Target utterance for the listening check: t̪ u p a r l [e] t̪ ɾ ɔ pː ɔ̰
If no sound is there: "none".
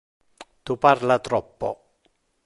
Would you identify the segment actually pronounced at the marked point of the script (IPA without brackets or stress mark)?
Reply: a